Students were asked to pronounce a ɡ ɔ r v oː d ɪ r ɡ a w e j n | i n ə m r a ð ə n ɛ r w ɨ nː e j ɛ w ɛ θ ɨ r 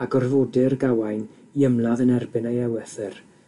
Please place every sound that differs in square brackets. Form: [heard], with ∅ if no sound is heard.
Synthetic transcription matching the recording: a ɡ ɔ r v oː d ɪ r ɡ a w [a] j n | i [∅] ə m [l] a ð ə n ɛ r [b] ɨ [n] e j ɛ w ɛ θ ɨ r

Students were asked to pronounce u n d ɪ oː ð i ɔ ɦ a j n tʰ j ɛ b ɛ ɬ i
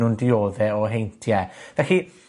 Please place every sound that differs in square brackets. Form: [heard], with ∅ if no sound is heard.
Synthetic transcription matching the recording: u n d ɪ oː ð [ɛ] ɔ ɦ [e] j n tʰ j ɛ [v] ɛ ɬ i

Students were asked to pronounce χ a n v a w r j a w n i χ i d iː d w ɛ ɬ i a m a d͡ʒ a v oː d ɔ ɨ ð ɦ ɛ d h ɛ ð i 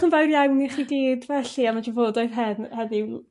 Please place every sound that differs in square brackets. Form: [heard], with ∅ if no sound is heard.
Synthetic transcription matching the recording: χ [ə] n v a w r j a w n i χ i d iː d [v] ɛ ɬ i a m a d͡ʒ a v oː d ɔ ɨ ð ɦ ɛ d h ɛ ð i

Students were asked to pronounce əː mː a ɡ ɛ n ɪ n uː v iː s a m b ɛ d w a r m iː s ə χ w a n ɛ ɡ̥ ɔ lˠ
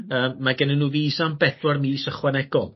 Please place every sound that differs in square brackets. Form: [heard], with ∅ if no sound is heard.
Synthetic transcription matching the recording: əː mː a ɡ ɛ n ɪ n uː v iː s a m b ɛ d w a r m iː s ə χ w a n ɛ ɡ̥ ɔ lˠ

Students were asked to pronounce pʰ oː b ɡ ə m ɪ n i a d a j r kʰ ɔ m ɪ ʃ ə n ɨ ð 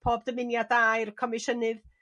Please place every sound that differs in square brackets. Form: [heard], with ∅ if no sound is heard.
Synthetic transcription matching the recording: pʰ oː b [d] ə m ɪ n [j] a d a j r kʰ ɔ m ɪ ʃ ə n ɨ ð

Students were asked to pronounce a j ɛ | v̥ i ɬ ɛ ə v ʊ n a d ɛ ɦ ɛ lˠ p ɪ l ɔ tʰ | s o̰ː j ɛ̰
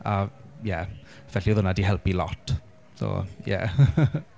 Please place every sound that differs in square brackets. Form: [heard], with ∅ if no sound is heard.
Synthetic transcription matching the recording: a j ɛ | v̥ [ɛ] ɬ [i] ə [ð] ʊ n a d [i] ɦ ɛ lˠ p [i] l ɔ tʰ | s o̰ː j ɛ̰

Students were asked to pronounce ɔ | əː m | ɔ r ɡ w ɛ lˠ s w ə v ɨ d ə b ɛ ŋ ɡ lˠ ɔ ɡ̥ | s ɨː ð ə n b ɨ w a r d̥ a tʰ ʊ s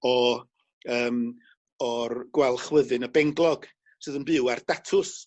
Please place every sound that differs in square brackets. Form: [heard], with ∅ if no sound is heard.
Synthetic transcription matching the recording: ɔ | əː m | ɔ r ɡ w ɛ lˠ [χ] w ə [ð] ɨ [n] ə b ɛ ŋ ɡ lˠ ɔ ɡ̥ | s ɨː ð ə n b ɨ w a r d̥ a tʰ ʊ s

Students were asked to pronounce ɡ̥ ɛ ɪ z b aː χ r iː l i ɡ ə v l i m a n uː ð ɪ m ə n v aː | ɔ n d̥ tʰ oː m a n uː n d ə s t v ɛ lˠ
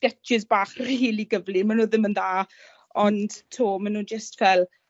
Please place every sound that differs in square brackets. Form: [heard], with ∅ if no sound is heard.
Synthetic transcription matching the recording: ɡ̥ ɛ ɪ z b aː χ r iː l i ɡ ə v l i m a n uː ð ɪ m ə n [ð] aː | ɔ n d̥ tʰ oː m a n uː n [d͡ʒ] ə s t v ɛ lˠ

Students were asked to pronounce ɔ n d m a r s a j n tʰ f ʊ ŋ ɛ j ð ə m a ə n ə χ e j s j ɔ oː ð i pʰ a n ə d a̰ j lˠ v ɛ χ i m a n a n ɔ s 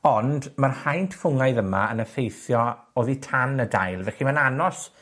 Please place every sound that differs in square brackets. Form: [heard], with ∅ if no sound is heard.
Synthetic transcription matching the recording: ɔ n d m a r [h] a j n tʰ f ʊ ŋ [a] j ð ə m a ə n ə [f] e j [θ] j ɔ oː ð i [tʰ] a n ə d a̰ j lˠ v ɛ χ i m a n a n ɔ s

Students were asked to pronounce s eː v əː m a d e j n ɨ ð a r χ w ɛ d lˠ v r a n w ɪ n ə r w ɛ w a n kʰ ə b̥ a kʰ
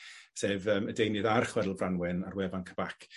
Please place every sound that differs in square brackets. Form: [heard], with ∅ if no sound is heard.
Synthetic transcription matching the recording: s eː v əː m [ə] d e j n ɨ ð a r χ w ɛ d lˠ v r a n w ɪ n [a] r w ɛ [v] a n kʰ ə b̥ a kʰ

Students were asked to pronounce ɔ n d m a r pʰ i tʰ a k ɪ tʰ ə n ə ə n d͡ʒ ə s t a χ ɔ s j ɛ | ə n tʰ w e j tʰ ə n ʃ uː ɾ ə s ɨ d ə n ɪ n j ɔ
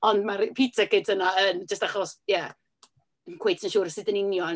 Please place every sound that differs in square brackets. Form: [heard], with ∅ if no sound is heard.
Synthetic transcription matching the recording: ɔ n d m a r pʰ i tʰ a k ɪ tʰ ə n [a] ə n d͡ʒ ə s t a χ ɔ s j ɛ | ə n [kʰ] w e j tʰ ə n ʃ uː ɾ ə s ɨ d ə n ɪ n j ɔ

